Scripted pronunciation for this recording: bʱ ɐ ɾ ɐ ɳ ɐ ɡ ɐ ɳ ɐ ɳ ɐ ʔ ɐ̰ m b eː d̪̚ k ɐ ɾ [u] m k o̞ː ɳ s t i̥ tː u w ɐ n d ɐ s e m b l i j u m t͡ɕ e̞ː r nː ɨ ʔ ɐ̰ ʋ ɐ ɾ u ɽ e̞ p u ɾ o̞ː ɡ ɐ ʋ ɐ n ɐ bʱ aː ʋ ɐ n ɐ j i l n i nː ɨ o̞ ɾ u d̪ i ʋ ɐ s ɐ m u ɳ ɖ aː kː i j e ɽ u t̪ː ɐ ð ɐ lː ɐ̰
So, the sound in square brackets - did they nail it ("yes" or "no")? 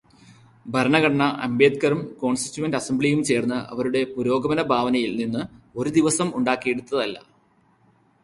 yes